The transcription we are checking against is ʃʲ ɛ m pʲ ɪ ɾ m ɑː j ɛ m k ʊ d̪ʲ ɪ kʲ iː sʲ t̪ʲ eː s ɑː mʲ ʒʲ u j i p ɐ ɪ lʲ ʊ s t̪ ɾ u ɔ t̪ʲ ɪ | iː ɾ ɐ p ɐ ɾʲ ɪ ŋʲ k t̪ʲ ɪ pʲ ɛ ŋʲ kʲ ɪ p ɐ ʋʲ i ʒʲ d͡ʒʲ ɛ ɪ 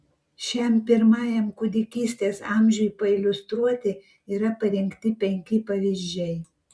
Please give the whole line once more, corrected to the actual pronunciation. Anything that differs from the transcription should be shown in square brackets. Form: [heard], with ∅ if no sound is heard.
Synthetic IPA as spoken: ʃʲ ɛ m pʲ ɪ ɾ m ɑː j ɛ m k ʊ d̪ʲ ɪ kʲ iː sʲ t̪ʲ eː s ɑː mʲ ʒʲ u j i p ɐ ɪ lʲ ʊ s t̪ ɾ u ɔ t̪ʲ ɪ | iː ɾ ɐ p ɐ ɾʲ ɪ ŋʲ k t̪ʲ ɪ pʲ ɛ ŋʲ kʲ ɪ p ɐ ʋʲ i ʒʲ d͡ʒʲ ɛ ɪ